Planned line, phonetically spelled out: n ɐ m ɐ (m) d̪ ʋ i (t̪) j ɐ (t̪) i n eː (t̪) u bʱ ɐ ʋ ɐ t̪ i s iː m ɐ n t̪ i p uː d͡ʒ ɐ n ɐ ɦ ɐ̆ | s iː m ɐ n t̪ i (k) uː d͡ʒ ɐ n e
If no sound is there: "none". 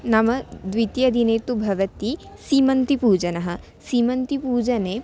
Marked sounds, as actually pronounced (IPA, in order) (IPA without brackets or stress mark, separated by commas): none, t̪, d̪, t̪, p